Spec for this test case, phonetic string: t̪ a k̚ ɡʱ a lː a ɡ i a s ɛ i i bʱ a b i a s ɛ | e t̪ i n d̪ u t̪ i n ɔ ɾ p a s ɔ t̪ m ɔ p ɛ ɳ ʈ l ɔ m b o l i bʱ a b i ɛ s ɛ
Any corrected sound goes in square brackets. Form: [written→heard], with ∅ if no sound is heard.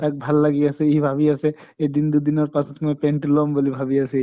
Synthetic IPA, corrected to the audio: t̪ a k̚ [ɡʱ→bʱ] a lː a ɡ i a s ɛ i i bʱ a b i a s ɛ | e [t̪→d̪] i n d̪ u [t̪→d̪] i n ɔ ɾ p a s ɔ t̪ m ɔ p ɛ ɳ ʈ l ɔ m b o l i bʱ a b i [ɛ→a] s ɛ